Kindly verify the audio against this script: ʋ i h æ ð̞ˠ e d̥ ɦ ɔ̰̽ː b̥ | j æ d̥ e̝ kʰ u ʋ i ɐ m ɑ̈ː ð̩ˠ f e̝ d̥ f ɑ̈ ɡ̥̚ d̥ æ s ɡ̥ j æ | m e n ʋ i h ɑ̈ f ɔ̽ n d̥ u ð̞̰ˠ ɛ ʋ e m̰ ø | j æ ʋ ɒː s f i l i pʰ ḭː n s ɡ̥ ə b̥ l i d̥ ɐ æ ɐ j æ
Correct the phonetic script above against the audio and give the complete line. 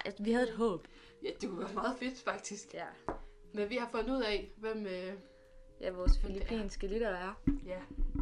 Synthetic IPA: ʋ i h æ ð̞ˠ e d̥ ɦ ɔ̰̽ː b̥ | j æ d̥ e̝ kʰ u ʋ æ ɐ m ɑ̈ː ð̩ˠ f e̝ d̥ f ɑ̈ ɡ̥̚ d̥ i s ɡ̥ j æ | m e n ʋ i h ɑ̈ f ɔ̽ n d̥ u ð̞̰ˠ ɛ ʋ e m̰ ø | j æ ʋ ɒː s f i l i pʰ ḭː n s ɡ̥ ə l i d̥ ɐ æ ɐ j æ